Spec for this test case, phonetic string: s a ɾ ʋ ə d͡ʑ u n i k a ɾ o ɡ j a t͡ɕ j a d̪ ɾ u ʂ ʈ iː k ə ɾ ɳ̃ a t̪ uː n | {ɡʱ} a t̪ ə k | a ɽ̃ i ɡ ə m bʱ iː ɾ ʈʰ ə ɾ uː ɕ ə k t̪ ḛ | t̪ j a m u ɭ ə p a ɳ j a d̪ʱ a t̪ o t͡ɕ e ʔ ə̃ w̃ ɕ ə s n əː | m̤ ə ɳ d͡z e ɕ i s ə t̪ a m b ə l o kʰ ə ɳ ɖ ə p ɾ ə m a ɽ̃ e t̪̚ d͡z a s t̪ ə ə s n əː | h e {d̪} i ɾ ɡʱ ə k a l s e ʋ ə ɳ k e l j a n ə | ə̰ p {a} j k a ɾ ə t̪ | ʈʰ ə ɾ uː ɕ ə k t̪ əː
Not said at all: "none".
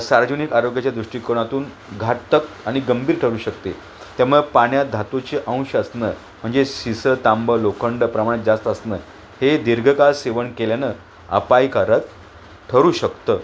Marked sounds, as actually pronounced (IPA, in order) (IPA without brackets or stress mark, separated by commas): ɡʱ, d̪, a